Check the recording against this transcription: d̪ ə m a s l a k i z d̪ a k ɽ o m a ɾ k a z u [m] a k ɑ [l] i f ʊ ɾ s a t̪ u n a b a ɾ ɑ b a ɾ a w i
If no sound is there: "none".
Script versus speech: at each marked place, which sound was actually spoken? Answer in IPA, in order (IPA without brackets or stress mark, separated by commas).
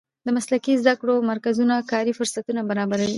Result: n, ɾ